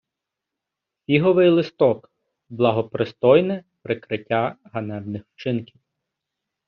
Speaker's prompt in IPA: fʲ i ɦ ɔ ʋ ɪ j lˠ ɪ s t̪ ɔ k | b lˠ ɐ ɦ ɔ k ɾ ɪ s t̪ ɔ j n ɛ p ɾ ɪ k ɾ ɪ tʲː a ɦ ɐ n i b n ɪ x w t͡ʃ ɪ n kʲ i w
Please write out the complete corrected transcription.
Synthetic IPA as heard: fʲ i ɦ ɔ ʋ ɪ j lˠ ɪ s t̪ ɔ k | b lˠ ɐ ɦ ɔ p ɾ ɪ s t̪ ɔ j n ɛ p ɾ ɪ k ɾ ɪ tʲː a ɦ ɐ n ɛ b n ɪ x w t͡ʃ ɪ n kʲ i w